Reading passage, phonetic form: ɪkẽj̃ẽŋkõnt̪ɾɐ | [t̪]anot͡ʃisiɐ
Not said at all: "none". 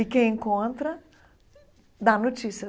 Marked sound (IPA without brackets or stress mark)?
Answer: d̪